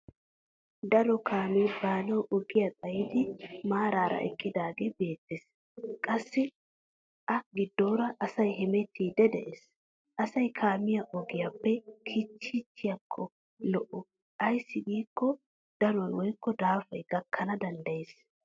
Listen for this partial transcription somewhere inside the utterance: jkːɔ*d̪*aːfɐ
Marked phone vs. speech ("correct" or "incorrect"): correct